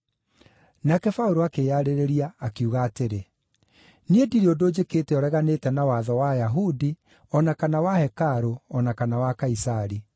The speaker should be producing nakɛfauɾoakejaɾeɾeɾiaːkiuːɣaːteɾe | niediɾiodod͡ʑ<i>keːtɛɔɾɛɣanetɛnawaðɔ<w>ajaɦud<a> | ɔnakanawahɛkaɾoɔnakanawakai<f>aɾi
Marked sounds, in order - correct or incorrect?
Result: incorrect: e, correct, incorrect: i, incorrect: s

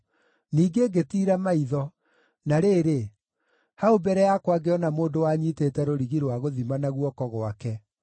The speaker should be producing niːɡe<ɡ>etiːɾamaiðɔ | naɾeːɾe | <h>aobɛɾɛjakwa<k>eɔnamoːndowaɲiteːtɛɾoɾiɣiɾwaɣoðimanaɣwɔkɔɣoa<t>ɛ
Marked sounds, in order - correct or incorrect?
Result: correct, correct, incorrect: ɡ, incorrect: k

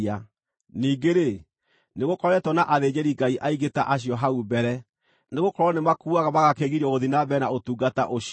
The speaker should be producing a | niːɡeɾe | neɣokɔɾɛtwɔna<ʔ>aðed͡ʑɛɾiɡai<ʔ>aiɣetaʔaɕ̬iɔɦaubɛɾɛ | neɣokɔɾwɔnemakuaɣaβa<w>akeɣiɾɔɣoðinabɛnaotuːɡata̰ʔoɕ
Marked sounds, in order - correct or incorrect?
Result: correct, correct, incorrect: ɣ

